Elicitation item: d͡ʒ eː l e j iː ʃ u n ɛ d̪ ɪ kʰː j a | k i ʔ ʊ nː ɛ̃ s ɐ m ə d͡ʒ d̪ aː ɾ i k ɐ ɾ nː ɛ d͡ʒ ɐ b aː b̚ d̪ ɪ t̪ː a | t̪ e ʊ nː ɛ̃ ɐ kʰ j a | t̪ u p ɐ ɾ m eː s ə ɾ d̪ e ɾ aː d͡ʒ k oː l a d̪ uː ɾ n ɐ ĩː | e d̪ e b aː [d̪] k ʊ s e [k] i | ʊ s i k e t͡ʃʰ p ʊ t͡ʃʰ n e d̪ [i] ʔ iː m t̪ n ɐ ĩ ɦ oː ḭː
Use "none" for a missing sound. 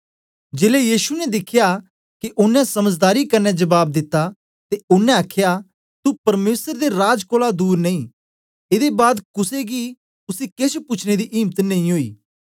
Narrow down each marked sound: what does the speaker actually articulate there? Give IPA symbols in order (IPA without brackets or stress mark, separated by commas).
d̪, ɡ, i